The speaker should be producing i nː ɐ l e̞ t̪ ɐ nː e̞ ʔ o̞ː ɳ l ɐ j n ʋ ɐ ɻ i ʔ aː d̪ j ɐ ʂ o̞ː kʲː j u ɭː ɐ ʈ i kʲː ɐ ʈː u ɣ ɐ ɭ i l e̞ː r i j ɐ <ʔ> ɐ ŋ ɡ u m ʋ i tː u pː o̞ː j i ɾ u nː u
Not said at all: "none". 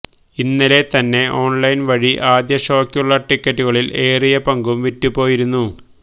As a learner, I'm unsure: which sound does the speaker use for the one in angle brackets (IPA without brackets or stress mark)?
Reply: p